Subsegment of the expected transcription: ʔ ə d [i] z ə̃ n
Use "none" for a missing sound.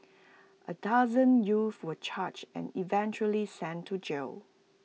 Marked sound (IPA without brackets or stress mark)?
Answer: a